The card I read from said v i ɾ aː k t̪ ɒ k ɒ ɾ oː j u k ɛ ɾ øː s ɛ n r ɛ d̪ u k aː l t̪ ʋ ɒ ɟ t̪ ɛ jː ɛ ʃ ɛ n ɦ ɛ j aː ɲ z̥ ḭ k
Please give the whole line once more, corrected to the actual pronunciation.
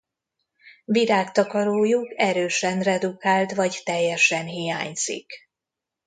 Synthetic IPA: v i ɾ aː k t̪ ɒ k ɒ ɾ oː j u k ɛ ɾ øː ʃ ɛ n r ɛ d̪ u k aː l t̪ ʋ ɒ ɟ t̪ ɛ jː ɛ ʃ ɛ n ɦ i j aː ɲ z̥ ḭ k